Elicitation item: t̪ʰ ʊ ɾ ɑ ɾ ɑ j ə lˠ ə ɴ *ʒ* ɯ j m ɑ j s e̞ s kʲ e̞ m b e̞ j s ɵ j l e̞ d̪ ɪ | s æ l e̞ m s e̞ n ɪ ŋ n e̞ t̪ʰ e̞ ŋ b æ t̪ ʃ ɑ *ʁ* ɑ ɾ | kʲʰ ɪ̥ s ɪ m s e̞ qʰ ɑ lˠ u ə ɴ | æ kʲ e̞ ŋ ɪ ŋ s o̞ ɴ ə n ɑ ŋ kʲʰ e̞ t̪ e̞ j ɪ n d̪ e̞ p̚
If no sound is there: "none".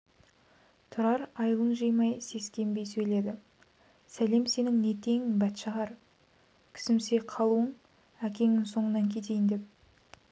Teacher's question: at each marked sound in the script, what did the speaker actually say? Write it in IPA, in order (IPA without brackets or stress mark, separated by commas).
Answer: ʒ, ʁ